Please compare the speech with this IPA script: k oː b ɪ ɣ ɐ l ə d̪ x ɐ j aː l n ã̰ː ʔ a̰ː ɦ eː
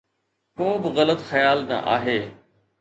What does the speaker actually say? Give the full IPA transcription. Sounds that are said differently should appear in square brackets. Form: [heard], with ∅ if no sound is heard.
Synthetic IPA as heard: k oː b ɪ ɣ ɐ l ə [t̪] x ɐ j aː l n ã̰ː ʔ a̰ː ɦ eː